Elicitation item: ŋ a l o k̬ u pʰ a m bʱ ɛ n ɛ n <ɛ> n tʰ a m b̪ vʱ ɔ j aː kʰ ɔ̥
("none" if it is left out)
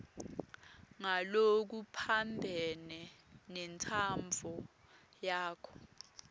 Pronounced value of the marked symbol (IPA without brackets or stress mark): ɛ